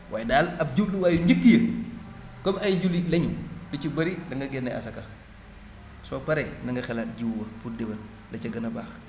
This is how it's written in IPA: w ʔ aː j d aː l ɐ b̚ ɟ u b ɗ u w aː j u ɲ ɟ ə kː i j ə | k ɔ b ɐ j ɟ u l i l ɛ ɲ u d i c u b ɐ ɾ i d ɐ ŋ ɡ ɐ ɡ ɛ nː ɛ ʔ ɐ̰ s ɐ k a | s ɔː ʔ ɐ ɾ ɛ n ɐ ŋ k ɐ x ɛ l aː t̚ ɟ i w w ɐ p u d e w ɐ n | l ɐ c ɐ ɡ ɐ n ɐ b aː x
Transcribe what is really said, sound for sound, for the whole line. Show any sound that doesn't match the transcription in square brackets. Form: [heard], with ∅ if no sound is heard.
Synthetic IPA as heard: w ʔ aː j d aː l ɐ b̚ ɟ u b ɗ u w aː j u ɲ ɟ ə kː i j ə | k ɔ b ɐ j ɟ u l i l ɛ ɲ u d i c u b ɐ ɾ i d ɐ ŋ ɡ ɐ ɡ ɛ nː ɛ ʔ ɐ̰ s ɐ k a | s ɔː [p] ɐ ɾ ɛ n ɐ ŋ [ɡ] ɐ x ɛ l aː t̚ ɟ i w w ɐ p u d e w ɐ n | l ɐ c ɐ ɡ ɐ n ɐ b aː x